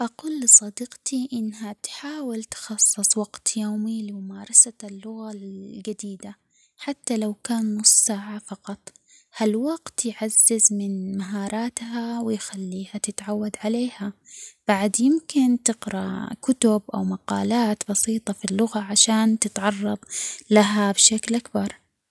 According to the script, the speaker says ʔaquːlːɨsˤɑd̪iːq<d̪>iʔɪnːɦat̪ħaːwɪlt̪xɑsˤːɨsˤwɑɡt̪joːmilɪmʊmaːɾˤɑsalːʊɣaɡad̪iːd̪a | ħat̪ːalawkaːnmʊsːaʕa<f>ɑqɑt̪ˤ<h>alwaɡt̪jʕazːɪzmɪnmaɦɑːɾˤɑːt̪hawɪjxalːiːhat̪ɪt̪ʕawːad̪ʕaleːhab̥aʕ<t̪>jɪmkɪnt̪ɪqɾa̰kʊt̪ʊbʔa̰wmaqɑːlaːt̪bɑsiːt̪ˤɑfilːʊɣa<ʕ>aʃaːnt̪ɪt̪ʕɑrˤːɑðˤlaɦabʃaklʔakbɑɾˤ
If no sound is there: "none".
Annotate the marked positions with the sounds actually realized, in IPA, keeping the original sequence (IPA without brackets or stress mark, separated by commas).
t̪, f, h, d̪, ʕ